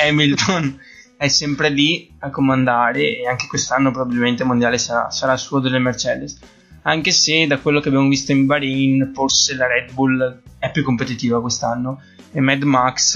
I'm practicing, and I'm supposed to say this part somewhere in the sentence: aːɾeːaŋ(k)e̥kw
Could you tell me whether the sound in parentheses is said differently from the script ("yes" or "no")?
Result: no